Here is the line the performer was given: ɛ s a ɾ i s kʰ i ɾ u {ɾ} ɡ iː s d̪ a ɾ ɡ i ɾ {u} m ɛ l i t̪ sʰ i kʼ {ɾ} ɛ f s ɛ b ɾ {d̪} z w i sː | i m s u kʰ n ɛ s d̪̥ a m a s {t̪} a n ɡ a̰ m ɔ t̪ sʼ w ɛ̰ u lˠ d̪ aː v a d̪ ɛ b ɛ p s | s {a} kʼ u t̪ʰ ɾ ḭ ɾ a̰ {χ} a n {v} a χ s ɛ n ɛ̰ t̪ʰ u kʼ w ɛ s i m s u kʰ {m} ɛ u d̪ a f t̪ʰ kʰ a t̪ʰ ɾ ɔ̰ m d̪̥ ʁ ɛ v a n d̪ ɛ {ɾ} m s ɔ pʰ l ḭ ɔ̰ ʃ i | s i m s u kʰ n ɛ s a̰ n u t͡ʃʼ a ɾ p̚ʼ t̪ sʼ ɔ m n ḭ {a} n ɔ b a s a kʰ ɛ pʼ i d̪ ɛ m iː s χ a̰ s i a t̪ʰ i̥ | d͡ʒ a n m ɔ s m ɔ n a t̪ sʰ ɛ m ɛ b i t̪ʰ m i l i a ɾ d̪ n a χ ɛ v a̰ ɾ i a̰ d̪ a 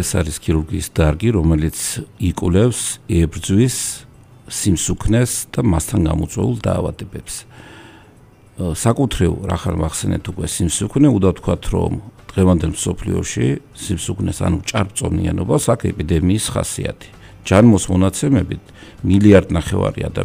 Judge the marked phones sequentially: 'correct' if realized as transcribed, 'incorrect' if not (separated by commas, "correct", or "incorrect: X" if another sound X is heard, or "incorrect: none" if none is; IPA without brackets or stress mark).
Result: correct, incorrect: ɔ, incorrect: l, correct, incorrect: t̪ʰ, correct, correct, correct, incorrect: n, incorrect: l, correct